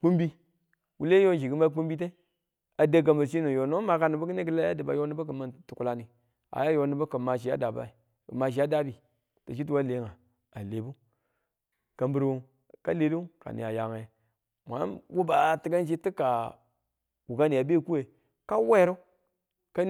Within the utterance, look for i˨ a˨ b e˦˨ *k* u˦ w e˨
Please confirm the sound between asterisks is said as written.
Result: yes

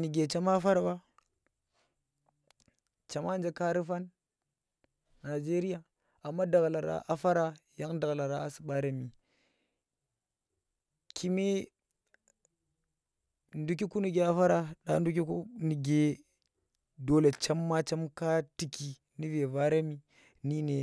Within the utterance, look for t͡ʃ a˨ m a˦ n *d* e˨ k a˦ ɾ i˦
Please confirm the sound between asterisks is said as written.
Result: no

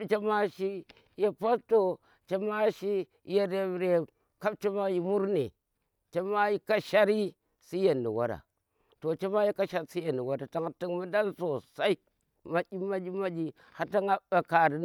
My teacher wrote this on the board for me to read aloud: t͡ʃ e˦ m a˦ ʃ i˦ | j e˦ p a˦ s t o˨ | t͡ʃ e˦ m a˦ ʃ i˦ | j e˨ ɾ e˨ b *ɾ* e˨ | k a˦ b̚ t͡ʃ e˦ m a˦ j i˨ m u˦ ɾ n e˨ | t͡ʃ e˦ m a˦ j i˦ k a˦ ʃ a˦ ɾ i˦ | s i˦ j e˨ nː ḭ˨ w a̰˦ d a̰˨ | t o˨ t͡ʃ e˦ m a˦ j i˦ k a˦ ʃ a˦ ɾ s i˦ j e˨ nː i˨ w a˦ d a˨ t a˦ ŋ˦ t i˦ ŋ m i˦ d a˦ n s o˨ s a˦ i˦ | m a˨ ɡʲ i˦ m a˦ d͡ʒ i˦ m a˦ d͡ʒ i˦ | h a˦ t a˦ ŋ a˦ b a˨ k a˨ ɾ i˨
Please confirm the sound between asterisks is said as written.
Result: yes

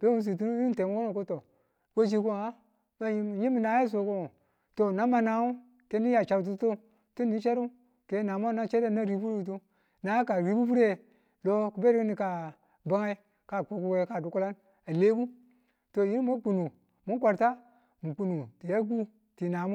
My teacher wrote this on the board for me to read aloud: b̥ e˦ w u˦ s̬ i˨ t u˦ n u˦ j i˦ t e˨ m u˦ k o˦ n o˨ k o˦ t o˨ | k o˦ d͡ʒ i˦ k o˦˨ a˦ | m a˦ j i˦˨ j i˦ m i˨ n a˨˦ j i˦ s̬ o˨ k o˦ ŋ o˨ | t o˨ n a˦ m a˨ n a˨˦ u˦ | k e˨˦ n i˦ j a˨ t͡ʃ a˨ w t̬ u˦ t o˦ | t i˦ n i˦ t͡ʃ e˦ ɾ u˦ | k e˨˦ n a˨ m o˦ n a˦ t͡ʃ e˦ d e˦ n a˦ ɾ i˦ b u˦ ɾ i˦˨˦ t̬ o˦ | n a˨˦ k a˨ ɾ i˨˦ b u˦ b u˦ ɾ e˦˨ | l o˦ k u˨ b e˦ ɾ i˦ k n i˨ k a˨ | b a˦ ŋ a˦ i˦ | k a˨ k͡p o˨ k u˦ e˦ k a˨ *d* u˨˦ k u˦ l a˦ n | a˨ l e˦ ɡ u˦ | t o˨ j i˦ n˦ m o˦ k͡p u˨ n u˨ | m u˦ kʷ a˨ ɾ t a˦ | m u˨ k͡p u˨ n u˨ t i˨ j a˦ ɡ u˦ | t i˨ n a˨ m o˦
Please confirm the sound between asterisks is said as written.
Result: yes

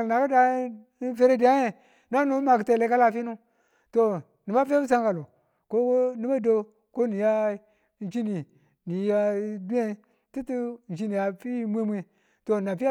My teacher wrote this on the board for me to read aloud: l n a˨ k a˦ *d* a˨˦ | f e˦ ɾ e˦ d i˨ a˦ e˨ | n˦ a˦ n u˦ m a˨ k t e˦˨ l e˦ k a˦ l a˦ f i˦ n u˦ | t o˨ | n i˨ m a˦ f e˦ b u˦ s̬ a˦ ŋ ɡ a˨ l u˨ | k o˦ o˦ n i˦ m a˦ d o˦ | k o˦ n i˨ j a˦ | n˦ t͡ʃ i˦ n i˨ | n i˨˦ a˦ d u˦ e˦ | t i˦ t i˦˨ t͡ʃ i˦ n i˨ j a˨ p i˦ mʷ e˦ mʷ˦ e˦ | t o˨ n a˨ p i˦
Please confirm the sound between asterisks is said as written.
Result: yes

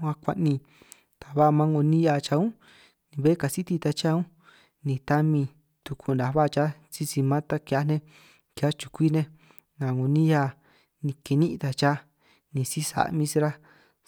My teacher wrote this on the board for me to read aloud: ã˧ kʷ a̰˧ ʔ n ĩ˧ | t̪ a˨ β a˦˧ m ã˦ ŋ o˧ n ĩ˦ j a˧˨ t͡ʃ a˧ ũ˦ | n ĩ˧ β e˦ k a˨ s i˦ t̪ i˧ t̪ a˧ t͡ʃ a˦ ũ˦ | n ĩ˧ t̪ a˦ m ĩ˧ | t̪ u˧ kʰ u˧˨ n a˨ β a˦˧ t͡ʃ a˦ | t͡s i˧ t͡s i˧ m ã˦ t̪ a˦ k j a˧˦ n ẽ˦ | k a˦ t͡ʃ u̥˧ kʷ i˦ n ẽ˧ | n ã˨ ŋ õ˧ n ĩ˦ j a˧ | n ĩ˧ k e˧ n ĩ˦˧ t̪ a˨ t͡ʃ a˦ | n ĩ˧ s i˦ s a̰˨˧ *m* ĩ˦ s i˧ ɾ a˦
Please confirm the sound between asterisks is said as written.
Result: yes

